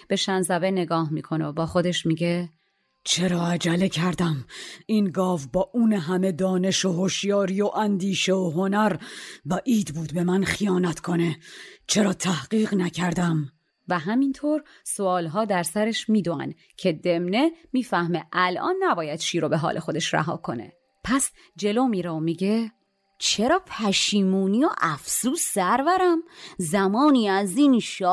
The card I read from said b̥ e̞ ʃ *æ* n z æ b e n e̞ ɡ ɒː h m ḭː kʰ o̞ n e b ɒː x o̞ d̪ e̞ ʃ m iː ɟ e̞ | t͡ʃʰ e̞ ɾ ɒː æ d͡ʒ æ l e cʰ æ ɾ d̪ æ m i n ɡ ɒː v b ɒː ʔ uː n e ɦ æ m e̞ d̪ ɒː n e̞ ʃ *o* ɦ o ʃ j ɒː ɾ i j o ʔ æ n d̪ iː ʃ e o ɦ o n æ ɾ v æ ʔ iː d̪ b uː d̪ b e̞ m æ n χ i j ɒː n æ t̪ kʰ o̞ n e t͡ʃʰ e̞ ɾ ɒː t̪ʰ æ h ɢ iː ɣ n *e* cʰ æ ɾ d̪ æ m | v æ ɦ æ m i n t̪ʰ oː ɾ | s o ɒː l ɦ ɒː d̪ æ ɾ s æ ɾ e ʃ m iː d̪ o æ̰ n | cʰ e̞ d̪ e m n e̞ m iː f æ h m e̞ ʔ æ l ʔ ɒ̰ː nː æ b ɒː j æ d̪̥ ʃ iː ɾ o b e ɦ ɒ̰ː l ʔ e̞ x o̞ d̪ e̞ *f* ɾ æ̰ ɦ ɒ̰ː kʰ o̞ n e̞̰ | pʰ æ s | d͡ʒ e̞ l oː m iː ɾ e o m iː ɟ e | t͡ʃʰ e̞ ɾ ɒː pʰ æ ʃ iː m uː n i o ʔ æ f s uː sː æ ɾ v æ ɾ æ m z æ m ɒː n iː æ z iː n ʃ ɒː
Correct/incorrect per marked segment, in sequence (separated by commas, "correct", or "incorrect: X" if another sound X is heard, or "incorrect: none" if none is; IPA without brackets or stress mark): correct, correct, incorrect: æ, incorrect: ʃ